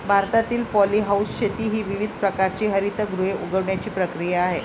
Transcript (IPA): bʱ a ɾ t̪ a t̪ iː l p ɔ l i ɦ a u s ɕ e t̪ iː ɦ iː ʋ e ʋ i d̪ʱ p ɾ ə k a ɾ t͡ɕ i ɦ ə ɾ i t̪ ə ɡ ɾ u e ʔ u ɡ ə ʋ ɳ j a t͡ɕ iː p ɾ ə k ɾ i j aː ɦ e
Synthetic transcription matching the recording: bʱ a ɾ t̪ a t̪ iː l p ɔ l i ɦ a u s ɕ e t̪ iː ɦ iː ʋ i ʋ i d̪ʱ p ɾ ə k a ɾ t͡ɕ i ɦ ə ɾ i t̪ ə ɡ ɾ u e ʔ u ɡ ə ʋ ɳ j a t͡ɕ iː p ɾ ə k ɾ i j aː ɦ e

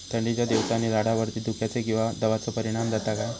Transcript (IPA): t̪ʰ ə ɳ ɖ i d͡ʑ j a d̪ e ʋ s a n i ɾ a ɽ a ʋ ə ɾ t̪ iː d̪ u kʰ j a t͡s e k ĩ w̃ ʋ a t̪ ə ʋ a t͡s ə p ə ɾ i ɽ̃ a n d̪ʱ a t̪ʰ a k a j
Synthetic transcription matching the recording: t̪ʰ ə ɳ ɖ i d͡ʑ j a d̪ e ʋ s a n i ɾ a ɽ a ʋ ə ɾ t̪ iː d̪ u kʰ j a t͡s e k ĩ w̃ ʋ a d̪ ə ʋ a t͡s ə p ə ɾ i ɽ̃ a m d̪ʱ a t̪ a k a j

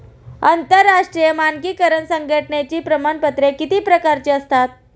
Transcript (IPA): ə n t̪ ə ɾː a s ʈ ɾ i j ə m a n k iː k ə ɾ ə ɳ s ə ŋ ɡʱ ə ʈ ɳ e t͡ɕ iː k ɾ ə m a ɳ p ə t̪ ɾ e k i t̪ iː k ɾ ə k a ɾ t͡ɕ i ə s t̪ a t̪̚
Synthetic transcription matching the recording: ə n t̪ ə ɾː a ʂ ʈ ɾ i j ə m a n k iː k ə ɾ ə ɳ s ə ŋ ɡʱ ə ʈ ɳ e t͡ɕ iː p ɾ ə m a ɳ p ə t̪ ɾ e k i t̪ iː p ɾ ə k a ɾ t͡ɕ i ə s t̪ a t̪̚

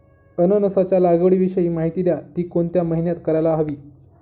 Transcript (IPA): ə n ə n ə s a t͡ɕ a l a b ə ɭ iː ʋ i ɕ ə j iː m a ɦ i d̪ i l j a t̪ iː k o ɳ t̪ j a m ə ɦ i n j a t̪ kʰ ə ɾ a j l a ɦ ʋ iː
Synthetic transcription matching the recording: ə n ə n ə s a t͡ɕ a l a ɡ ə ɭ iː ʋ i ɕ ə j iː m a ɦ i t̪ i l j a t̪ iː k o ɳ t̪ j a m ə ɦ i n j a t̪ k ə ɾ a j l a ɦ ʋ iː

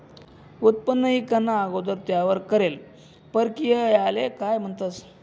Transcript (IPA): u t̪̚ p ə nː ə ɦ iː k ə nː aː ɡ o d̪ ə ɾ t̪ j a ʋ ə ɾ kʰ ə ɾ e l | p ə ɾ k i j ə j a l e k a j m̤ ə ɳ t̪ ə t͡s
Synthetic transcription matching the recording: u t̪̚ p ə nː ə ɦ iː k ə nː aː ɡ o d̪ ə ɾ t̪ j a ʋ ə ɾ k ə ɾ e l | p ə ɾ k i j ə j a l e k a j m̤ ə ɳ t̪ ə t͡s

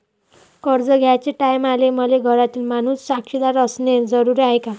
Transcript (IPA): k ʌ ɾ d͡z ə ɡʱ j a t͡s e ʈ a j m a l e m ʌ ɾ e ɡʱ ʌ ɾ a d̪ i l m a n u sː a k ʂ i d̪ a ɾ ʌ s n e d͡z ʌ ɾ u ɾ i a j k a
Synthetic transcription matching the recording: k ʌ ɾ d͡z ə ɡʱ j a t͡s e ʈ a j m a l e m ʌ l e ɡʱ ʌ ɾ a t̪ i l m a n u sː a k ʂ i d̪ a ɾ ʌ s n e d͡z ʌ ɾ u ɾ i a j k a

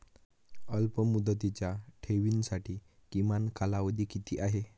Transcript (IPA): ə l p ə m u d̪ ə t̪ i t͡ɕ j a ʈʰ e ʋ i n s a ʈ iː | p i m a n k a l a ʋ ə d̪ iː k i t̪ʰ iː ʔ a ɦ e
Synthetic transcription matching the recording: ə l p ə m u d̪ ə t̪ i t͡ɕ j a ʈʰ e ʋ i n s a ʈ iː | k i m a n k a l a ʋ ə d̪ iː k i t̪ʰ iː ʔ a ɦ e

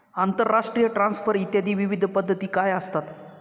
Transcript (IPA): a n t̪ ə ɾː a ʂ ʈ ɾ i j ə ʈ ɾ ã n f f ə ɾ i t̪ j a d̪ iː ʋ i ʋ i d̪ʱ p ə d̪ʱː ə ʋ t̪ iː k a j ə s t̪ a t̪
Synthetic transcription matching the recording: a n t̪ ə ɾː a ʂ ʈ ɾ i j ə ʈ ɾ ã n s f ə ɾ i t̪ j a d̪ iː ʋ i ʋ i d̪ʱ p ə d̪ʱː ə t̪ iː k a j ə s t̪ a t̪

